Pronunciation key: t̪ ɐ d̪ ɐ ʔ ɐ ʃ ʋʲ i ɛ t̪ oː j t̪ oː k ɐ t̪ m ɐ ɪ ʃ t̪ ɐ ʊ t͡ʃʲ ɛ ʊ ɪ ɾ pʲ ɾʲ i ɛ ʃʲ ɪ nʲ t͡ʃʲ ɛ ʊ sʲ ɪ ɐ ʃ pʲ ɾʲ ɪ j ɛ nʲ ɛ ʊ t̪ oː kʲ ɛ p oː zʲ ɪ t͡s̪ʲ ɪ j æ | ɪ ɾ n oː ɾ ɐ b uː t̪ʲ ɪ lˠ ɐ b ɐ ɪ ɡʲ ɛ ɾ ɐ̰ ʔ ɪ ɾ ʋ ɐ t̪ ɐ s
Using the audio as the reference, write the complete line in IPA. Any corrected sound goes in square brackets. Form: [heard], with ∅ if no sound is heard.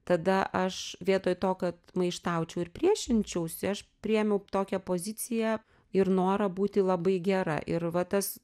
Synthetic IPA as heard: t̪ ɐ d̪ ɐ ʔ ɐ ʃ ʋʲ i ɛ t̪ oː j t̪ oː k ɐ t̪ m ɐ ɪ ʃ t̪ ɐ ʊ t͡ʃʲ ɛ ʊ ɪ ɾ pʲ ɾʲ i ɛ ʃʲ ɪ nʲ t͡ʃʲ ɛ ʊ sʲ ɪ ɐ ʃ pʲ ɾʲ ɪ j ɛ [mʲ] ɛ ʊ t̪ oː kʲ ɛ p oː zʲ ɪ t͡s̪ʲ ɪ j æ | ɪ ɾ n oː ɾ ɐ b uː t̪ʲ ɪ lˠ ɐ b ɐ ɪ ɡʲ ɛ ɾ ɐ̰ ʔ ɪ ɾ ʋ ɐ t̪ ɐ s